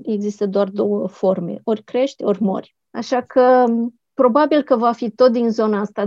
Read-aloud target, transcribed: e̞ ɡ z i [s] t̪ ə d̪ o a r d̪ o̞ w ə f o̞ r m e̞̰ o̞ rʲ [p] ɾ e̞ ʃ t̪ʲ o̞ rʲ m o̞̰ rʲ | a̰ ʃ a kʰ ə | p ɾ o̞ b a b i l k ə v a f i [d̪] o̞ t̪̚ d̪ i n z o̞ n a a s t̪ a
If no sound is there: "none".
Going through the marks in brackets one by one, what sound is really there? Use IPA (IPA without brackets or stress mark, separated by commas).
s, k, t̪